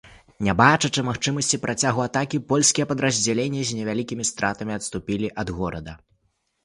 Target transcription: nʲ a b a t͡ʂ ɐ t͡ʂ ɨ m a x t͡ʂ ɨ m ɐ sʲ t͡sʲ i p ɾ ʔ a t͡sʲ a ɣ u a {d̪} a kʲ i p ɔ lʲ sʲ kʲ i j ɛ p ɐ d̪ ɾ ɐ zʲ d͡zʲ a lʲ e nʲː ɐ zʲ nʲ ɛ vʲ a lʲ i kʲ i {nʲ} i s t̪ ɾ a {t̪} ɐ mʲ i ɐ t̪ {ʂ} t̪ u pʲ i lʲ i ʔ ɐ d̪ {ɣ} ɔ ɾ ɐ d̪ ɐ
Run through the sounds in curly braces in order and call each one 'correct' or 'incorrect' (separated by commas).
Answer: incorrect, incorrect, correct, incorrect, correct